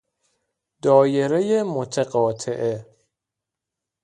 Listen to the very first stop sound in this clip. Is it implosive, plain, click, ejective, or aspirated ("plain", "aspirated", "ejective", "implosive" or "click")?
plain